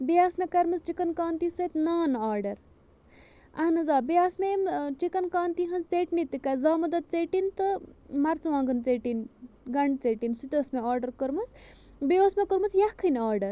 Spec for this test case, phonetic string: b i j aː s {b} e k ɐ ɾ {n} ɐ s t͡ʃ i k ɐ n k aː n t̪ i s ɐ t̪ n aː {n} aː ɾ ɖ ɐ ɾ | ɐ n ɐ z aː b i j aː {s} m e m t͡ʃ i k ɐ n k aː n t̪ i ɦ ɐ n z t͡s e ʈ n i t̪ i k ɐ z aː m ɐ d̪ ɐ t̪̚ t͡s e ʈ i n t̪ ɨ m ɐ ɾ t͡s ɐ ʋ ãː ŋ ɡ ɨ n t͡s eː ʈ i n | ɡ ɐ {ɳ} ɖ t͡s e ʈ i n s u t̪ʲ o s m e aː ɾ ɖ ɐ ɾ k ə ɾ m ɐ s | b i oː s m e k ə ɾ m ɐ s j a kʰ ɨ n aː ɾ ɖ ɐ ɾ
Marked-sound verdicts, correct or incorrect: incorrect: m, incorrect: m, correct, correct, correct

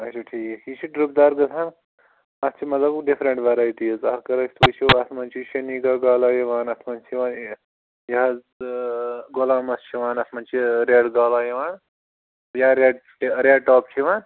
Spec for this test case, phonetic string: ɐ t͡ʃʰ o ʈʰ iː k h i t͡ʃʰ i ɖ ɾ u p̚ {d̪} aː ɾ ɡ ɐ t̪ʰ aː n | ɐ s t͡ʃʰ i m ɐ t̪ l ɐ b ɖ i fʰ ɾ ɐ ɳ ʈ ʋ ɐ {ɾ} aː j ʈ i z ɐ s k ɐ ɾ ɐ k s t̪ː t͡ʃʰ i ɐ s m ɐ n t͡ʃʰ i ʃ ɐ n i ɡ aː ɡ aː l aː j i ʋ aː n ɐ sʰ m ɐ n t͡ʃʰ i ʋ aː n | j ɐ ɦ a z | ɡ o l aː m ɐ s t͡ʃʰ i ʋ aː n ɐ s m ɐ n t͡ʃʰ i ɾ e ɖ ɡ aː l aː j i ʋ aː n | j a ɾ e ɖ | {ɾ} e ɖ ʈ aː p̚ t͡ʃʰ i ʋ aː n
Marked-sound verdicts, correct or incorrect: correct, correct, correct

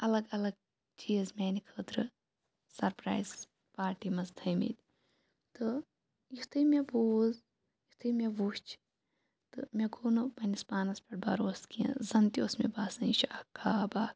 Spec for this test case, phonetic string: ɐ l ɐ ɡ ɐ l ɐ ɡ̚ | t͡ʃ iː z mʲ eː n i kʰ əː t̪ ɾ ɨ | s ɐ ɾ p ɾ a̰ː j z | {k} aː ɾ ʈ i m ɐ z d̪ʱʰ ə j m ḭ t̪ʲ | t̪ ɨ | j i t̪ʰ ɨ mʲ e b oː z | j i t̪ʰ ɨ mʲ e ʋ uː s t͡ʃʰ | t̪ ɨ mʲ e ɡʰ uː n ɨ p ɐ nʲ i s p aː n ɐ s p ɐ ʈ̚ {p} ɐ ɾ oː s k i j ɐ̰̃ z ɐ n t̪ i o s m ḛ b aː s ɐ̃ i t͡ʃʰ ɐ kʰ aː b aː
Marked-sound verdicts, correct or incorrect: incorrect: p, incorrect: b

